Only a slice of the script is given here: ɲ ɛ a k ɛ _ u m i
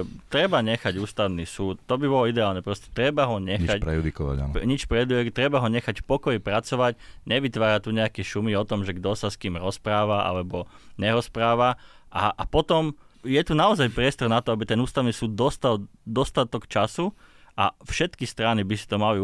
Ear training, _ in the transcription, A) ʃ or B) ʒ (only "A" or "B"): A